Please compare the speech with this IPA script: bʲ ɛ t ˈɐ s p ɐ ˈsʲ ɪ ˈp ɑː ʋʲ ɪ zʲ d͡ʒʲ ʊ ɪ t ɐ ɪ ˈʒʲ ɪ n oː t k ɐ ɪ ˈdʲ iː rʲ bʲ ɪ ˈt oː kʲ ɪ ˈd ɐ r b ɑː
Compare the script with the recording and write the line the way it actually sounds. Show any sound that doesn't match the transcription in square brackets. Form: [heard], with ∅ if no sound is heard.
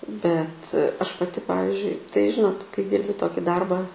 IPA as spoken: bʲ ɛ t ˈɐ [ʃ] p ɐ [ˈtʲ] ɪ ˈp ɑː ʋʲ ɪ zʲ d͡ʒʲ ʊ ɪ t ɐ ɪ ˈʒʲ ɪ n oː t k ɐ ɪ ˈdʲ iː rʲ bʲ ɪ ˈt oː kʲ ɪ ˈd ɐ r b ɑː